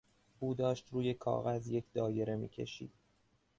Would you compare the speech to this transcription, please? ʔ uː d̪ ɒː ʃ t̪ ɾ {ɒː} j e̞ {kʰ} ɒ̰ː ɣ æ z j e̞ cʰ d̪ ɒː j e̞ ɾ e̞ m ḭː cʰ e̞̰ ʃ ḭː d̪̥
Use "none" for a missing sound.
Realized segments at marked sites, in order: uː, kʰ

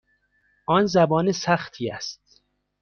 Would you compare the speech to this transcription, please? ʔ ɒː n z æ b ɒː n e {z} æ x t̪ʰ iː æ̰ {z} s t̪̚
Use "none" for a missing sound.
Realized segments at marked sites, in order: s, none

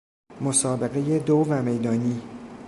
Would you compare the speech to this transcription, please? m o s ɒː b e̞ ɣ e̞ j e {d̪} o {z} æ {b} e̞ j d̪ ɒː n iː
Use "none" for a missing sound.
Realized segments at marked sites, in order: d̪, v, m

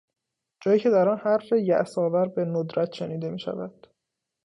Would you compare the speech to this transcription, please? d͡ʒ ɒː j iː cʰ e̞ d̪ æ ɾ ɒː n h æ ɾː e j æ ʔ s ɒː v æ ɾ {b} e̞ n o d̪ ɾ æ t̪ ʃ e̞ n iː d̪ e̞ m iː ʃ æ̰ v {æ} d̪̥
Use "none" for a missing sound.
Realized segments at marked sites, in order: b, æ

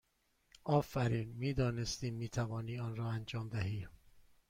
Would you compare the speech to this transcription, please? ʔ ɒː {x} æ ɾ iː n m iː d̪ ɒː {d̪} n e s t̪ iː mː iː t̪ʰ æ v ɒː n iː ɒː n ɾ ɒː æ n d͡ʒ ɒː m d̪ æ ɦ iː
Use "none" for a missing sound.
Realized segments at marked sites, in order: f, none

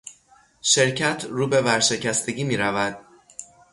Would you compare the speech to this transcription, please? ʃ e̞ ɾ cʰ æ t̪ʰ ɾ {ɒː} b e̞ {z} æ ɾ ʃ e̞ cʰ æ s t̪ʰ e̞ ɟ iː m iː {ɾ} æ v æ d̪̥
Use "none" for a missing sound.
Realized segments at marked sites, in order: uː, v, ɾ

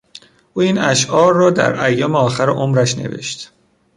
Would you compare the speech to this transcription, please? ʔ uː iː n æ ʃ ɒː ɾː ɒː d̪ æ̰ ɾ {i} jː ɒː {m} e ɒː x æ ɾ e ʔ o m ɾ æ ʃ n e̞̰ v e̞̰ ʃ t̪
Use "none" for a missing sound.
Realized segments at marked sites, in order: æ, m

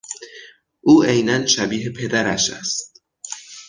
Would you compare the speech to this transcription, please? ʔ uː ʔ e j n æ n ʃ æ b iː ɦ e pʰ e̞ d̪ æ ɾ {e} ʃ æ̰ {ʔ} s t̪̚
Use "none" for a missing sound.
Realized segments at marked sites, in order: æ, none

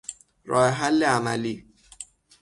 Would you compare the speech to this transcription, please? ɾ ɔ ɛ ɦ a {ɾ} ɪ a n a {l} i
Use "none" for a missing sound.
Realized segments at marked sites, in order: l, l

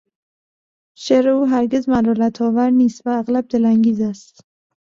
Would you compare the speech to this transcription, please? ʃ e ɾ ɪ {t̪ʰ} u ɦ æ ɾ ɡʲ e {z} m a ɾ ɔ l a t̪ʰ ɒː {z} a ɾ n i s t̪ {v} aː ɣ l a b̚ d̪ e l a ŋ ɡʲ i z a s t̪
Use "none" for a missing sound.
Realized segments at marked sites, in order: none, z, v, v

